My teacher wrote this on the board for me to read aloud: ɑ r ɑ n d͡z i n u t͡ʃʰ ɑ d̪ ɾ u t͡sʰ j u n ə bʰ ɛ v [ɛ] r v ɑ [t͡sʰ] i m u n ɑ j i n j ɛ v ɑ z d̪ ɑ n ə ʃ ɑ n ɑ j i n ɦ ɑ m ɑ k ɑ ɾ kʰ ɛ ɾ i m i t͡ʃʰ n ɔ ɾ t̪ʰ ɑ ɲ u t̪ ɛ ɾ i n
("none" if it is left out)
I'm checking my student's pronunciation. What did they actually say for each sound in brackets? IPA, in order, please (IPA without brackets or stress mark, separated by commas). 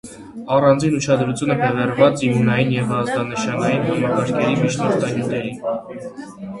ɛ, t͡s